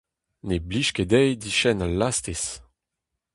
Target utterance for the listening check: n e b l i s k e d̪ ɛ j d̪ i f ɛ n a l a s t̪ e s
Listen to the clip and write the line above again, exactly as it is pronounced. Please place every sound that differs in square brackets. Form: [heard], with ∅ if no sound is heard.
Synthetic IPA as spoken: n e b l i [ʃ] k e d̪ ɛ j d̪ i [ʃ] ɛ n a l a s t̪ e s